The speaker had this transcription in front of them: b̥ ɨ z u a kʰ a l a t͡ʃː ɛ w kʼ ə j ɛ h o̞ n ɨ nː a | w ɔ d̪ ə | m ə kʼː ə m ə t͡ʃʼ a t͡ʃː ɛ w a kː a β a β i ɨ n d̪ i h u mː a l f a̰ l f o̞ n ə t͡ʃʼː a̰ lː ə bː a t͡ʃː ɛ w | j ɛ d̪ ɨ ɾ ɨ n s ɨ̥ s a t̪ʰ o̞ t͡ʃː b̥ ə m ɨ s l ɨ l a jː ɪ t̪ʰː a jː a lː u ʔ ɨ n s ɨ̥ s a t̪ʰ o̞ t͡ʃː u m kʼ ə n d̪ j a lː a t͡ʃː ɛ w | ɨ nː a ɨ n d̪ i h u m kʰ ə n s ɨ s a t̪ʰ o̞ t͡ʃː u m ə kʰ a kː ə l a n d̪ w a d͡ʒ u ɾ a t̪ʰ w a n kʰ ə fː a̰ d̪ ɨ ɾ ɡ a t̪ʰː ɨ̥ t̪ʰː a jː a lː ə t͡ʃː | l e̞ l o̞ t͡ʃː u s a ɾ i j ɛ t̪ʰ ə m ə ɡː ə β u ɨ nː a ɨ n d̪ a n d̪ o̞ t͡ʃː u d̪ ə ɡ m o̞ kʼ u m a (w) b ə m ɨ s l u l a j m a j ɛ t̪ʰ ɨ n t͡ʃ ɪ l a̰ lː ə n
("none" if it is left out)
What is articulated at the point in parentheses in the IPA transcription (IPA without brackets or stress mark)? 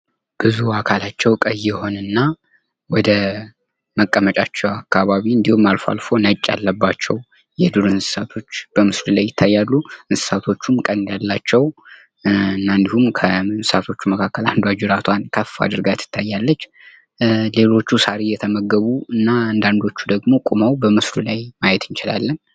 w